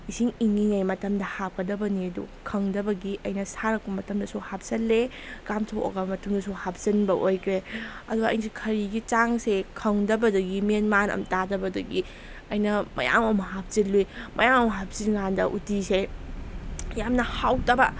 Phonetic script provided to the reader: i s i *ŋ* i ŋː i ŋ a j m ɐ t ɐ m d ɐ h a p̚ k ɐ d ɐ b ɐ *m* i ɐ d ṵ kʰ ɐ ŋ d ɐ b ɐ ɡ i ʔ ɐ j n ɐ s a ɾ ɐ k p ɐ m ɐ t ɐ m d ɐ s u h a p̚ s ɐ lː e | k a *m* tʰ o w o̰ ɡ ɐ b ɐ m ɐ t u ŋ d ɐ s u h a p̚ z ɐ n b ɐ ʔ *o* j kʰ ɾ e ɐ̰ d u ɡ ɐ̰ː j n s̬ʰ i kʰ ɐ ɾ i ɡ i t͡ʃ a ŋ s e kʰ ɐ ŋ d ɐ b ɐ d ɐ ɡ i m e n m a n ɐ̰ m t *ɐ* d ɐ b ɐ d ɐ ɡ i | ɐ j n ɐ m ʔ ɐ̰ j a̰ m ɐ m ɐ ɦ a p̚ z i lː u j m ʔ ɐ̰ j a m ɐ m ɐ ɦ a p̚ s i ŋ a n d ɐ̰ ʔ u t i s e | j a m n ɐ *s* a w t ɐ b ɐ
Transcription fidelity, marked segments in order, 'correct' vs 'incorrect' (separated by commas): correct, incorrect, correct, correct, incorrect, incorrect